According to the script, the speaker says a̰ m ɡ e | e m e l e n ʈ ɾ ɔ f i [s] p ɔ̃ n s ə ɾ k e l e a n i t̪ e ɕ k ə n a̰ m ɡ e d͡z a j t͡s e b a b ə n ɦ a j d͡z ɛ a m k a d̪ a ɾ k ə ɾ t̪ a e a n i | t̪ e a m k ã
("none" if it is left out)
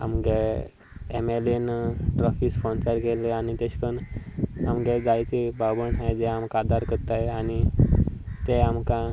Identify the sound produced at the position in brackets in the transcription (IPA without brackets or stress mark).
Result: s